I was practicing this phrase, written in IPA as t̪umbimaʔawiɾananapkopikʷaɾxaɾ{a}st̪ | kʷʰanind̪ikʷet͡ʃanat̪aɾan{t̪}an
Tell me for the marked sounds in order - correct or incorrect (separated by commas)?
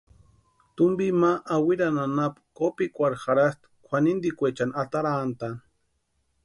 correct, correct